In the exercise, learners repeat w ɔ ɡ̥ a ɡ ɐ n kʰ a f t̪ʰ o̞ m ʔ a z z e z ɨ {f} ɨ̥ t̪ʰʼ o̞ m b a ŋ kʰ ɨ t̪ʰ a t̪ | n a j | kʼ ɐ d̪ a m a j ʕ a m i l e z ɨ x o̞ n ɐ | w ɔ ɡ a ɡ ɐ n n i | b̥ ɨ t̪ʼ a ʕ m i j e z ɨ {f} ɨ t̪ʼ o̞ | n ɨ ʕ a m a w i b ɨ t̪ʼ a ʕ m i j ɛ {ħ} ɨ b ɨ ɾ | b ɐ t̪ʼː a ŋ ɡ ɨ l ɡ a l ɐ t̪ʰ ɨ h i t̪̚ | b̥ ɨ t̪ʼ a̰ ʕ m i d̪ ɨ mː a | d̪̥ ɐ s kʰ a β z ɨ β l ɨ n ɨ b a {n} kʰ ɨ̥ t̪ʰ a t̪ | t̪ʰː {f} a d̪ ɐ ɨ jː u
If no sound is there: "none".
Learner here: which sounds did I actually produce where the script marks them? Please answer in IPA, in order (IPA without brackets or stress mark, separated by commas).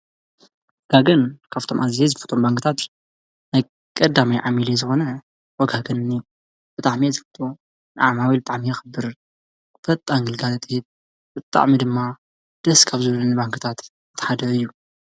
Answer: f, f, x, ŋ, ħ